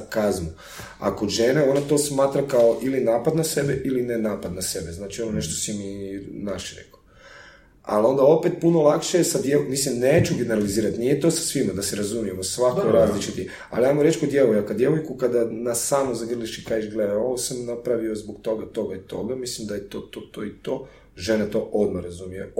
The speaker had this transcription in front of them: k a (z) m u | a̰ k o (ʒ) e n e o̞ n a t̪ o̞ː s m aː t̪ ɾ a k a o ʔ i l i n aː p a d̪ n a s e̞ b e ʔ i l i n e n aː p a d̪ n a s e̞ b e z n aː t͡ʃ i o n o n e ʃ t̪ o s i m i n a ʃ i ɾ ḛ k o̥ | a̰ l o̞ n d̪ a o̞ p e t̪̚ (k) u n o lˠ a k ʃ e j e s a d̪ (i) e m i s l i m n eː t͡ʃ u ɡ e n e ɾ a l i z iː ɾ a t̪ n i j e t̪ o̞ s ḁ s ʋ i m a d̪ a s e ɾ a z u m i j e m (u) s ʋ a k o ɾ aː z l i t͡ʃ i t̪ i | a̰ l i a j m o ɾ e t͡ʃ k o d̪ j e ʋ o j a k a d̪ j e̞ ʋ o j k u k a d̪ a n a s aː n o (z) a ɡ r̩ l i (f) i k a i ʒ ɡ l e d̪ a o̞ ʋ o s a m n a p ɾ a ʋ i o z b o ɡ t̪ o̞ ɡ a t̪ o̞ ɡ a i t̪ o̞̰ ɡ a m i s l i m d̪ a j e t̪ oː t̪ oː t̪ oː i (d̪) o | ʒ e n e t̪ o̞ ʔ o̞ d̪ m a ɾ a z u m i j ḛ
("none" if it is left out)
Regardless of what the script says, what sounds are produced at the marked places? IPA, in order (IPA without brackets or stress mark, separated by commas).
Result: z, ʒ, p, j, o, z, ʃ, t̪